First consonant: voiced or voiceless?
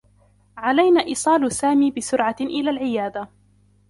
voiced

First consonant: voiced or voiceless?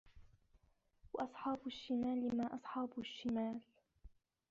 voiced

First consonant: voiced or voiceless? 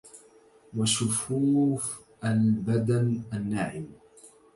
voiced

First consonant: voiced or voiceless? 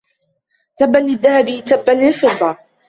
voiceless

